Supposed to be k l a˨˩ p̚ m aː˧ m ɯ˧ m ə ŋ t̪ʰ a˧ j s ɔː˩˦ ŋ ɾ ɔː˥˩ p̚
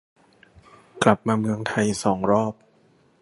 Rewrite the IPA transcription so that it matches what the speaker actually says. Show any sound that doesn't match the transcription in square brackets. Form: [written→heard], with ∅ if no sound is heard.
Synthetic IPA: k l a˨˩ p̚ m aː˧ m ɯ˧ [m→∅] ə ŋ t̪ʰ a˧ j s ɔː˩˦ ŋ ɾ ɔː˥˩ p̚